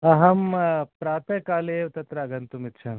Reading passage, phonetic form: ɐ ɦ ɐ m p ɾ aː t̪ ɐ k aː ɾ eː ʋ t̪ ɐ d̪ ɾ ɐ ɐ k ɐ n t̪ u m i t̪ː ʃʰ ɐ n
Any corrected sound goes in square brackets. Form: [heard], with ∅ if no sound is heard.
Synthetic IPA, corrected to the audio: ɐ ɦ ɐ m p ɾ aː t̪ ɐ k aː [l] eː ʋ t̪ ɐ [t̪] ɾ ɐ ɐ [ɡ] ɐ n t̪ u m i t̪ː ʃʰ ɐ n